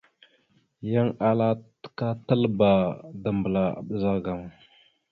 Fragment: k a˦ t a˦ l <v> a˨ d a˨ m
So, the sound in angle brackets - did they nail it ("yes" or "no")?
no